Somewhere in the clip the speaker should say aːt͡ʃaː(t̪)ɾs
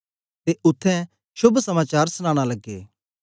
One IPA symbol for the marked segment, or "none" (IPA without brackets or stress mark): none